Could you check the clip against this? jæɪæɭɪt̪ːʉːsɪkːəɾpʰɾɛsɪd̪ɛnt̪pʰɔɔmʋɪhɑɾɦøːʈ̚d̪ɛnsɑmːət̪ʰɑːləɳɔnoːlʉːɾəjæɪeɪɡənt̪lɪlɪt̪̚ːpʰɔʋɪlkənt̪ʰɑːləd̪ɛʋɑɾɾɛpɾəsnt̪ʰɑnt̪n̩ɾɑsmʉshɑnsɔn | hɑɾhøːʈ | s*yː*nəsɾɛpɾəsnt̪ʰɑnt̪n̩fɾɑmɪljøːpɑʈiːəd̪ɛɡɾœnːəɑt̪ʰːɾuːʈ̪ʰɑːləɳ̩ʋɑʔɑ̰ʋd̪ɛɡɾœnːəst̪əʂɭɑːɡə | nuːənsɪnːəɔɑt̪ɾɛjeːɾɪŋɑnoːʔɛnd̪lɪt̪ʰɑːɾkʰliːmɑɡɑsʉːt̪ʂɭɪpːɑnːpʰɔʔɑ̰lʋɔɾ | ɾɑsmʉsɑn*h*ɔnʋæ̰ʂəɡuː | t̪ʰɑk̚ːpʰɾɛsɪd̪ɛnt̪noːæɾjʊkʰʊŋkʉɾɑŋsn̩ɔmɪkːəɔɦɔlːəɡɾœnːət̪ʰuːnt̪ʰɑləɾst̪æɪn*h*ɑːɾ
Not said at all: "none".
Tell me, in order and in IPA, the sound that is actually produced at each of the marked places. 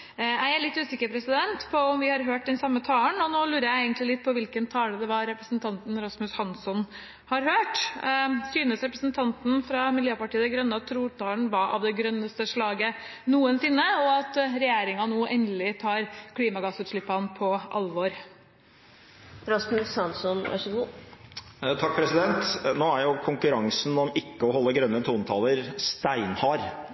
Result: yː, s, h

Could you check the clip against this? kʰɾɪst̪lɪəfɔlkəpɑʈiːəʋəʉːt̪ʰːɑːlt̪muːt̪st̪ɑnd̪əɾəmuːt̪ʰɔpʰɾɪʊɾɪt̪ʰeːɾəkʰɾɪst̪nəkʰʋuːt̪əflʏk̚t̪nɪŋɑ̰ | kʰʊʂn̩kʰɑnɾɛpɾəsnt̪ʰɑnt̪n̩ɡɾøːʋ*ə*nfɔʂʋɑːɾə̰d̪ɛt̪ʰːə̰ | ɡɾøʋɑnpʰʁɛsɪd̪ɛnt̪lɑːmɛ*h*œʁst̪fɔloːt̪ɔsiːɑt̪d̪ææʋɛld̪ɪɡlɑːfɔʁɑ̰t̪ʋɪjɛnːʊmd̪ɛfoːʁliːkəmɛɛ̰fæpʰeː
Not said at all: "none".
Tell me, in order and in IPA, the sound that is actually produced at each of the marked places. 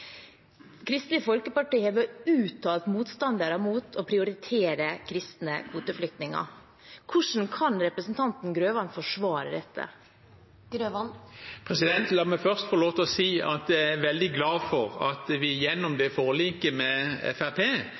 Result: ɑ, f

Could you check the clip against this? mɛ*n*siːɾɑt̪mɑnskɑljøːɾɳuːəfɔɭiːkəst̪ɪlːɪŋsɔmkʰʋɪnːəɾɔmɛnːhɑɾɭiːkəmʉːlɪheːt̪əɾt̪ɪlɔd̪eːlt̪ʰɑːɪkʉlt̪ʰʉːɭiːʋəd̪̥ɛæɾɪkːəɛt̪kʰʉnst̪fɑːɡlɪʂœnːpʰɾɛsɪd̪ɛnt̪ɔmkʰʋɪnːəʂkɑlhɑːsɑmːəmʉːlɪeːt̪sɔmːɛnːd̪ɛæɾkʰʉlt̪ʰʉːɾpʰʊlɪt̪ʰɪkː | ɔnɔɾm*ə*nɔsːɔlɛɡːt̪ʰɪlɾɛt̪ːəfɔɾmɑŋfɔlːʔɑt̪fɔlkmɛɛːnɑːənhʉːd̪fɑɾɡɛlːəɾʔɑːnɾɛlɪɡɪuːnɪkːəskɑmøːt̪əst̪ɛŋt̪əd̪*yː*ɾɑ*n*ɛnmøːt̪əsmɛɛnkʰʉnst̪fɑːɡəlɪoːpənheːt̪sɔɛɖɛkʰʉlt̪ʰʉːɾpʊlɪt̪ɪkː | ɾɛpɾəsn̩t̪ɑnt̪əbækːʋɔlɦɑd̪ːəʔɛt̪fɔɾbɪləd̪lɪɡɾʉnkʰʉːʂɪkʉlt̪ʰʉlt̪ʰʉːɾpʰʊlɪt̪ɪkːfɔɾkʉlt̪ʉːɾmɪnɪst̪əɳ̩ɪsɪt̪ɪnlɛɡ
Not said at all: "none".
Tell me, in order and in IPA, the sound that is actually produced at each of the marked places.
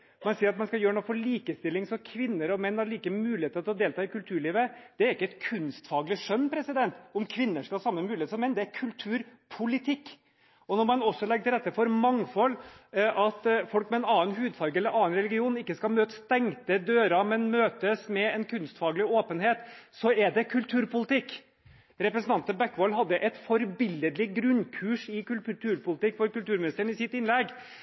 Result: n, ɑ, øː, m

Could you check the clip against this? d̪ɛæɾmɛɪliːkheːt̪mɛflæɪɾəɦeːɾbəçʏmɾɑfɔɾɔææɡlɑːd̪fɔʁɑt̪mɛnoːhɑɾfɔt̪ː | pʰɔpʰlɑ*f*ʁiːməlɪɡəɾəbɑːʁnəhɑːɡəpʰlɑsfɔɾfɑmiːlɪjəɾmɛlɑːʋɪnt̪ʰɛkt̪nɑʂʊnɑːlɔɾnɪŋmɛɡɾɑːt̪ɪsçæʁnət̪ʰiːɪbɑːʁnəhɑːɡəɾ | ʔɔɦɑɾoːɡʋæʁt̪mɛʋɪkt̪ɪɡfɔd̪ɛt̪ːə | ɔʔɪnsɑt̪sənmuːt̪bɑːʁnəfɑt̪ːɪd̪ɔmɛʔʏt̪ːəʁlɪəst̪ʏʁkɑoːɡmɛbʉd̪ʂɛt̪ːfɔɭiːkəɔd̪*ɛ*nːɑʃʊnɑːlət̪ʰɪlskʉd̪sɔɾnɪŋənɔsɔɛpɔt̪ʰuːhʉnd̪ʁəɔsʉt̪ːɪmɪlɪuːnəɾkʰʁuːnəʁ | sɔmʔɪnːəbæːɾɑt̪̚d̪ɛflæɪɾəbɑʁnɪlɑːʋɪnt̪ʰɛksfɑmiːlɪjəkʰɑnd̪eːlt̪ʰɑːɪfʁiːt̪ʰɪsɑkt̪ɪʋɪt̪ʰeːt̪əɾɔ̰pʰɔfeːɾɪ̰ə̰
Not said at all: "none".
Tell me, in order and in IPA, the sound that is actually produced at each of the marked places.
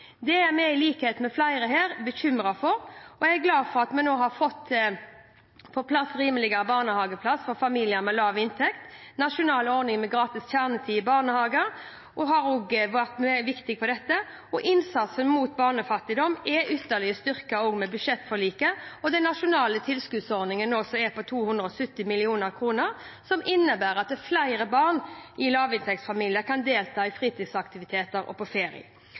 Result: s, ɛ

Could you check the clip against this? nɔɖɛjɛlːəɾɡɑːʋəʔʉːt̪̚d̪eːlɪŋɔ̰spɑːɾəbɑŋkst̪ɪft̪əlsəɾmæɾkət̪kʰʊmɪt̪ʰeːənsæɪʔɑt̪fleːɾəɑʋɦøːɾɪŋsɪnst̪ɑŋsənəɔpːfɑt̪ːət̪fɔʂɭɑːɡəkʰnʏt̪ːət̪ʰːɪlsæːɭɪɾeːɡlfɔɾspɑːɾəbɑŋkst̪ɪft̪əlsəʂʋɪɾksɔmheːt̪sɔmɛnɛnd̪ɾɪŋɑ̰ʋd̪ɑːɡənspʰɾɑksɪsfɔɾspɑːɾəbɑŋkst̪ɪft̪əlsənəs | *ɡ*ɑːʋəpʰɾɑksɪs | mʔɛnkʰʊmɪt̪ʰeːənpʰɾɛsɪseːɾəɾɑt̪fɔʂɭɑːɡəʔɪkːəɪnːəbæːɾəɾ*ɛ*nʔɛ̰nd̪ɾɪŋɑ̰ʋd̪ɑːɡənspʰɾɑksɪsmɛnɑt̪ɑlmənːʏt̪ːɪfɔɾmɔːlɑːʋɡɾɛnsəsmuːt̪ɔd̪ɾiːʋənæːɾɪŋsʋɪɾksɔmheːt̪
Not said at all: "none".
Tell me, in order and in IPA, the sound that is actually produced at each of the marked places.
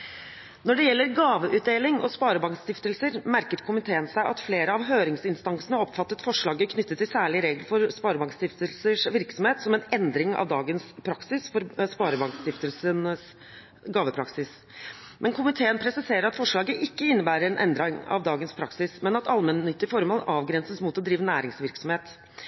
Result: ɡ, ɛ

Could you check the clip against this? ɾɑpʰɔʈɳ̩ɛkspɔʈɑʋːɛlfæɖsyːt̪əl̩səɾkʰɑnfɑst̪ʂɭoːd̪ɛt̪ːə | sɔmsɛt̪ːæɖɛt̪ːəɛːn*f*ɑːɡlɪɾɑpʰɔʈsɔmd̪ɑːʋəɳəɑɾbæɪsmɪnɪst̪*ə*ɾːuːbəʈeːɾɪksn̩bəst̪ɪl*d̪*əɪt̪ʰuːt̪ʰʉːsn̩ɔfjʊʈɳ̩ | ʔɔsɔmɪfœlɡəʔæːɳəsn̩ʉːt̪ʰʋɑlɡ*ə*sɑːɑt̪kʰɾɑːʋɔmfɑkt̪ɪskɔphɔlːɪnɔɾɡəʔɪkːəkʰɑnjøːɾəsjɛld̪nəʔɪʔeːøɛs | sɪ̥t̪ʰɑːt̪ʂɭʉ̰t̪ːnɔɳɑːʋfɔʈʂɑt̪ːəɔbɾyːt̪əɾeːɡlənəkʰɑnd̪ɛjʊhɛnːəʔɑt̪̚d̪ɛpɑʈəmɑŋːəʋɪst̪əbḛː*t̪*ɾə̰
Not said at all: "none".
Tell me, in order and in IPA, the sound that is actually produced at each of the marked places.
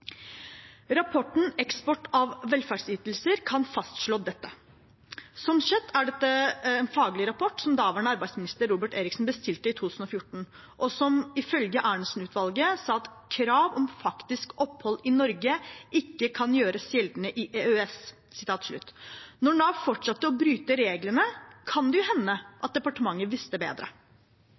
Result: f, ə, t̪, ə, d̪

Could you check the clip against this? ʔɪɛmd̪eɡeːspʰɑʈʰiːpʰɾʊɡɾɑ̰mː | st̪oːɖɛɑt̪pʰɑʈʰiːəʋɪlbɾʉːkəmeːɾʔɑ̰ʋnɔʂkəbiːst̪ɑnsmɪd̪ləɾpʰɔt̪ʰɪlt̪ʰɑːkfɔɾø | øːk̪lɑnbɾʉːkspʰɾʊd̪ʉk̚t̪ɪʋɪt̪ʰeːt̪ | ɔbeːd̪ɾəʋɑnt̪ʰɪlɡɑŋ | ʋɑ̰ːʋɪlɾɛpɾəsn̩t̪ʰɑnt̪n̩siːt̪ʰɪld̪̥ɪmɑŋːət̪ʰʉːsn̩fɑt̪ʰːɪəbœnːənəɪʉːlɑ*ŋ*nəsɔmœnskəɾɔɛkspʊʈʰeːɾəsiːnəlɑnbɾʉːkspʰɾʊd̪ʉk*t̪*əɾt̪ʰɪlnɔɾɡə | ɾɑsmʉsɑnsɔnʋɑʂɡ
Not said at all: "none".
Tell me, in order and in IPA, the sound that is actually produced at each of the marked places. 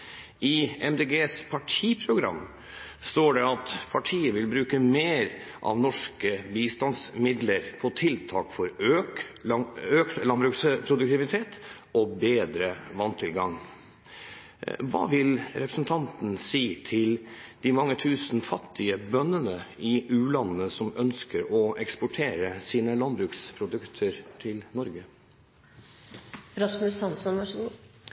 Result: n, t̪ʰ

